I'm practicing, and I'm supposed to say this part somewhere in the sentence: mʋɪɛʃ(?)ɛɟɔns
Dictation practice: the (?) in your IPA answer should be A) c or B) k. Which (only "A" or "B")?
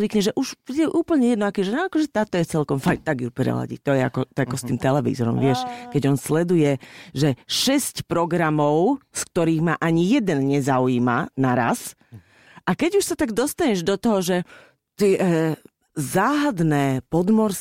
B